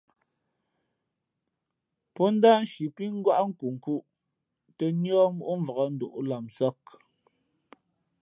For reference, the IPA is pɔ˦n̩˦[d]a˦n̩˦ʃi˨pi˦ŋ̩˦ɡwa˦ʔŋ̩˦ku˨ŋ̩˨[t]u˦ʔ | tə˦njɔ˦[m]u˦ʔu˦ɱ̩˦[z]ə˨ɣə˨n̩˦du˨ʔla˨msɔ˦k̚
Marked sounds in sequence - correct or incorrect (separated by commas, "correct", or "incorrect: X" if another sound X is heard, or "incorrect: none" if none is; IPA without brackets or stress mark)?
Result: correct, incorrect: k, correct, incorrect: v